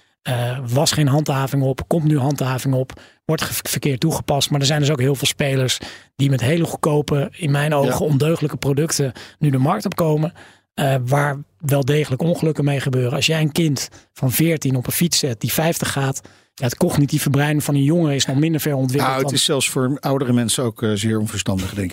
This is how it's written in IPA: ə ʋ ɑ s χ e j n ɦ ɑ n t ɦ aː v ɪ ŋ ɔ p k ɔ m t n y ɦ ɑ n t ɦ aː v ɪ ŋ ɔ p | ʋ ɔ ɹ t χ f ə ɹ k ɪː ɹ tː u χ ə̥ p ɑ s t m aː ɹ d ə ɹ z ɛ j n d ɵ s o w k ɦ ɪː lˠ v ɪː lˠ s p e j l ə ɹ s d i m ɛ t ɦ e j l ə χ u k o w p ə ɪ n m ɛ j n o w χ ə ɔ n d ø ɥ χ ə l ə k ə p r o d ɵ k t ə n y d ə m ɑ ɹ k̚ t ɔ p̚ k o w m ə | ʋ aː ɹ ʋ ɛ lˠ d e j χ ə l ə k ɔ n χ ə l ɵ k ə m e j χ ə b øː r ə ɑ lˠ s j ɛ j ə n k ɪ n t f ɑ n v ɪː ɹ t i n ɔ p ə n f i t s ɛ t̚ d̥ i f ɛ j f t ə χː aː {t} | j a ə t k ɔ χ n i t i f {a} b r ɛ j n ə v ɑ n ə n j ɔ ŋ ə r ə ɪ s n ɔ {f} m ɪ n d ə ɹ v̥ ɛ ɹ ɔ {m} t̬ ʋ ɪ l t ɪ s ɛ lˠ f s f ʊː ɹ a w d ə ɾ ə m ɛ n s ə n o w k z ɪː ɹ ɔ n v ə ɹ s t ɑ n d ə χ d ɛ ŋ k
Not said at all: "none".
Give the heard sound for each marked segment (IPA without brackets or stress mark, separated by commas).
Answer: t, ə, χ, n